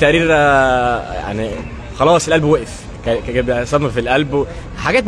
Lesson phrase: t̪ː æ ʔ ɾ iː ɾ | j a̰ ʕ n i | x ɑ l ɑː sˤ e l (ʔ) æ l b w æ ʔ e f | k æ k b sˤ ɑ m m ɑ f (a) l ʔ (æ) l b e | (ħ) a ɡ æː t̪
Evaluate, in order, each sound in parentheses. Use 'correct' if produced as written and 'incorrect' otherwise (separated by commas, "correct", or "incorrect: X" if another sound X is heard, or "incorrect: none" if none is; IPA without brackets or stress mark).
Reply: correct, incorrect: i, correct, correct